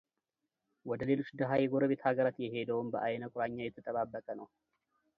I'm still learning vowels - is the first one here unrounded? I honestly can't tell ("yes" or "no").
no